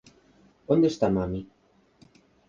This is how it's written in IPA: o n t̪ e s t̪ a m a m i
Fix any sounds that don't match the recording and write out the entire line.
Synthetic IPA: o n d̪ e s t̪ a m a m i